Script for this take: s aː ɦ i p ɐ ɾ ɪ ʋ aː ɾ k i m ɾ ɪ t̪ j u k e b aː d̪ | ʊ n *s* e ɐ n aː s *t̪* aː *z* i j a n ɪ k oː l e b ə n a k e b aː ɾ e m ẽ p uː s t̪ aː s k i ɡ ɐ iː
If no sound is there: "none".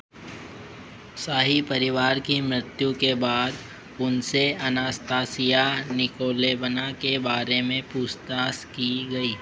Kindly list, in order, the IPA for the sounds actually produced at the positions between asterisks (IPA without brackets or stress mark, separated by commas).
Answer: s, t̪, s